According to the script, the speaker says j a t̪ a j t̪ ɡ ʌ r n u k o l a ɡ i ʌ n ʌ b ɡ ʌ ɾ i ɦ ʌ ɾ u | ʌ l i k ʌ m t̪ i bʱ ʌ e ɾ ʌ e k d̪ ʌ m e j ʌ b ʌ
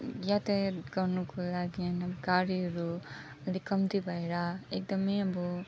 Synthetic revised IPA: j a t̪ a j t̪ ɡ ʌ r n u k o l a ɡ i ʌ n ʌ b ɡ a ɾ i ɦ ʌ ɾ u | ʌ l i k ʌ m t̪ i bʱ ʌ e ɾ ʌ e k d̪ ʌ m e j ʌ b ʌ